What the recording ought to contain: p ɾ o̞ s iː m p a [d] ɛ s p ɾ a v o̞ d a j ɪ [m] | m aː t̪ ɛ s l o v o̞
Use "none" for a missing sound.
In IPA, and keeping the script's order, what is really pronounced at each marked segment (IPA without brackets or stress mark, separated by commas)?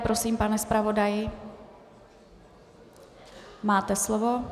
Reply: n, none